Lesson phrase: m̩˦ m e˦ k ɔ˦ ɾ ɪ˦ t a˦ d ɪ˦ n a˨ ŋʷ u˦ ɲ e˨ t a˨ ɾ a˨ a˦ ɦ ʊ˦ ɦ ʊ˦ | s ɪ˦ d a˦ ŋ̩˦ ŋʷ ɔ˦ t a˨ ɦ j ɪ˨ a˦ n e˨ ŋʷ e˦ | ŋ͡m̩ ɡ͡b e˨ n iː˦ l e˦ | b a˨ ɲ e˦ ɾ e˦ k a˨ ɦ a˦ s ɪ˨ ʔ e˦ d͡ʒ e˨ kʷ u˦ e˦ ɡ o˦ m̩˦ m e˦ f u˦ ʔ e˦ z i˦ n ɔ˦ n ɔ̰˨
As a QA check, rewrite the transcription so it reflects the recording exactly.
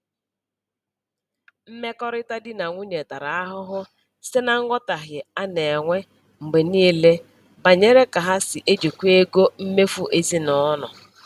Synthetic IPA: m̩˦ m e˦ k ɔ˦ ɾ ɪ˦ t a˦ d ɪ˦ n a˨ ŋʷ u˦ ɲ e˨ t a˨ ɾ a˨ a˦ ɦ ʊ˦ ɦ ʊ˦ | s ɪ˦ n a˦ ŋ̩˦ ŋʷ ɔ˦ t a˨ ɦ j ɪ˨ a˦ n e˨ ŋʷ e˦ | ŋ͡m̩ ɡ͡b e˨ n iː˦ l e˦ | b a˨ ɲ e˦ ɾ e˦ k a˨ ɦ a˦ s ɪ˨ ʔ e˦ d͡ʒ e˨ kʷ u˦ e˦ ɡ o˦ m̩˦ m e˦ f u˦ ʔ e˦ z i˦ n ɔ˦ n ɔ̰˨